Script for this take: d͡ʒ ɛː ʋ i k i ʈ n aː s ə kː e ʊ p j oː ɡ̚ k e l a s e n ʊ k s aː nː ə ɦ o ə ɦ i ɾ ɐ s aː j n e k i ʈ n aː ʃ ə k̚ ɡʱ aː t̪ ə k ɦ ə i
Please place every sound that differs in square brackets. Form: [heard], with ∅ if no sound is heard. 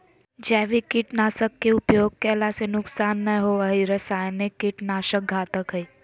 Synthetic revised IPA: d͡ʒ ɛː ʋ i k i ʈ n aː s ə kː e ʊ p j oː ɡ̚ k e l a s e n ʊ k s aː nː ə ɦ o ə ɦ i ɾ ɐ s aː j n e k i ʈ n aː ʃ ə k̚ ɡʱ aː t̪ ə k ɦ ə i